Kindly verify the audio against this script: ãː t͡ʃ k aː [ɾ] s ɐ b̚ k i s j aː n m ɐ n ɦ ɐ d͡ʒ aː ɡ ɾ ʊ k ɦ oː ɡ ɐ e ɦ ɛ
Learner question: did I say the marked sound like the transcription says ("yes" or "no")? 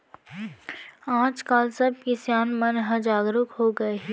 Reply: no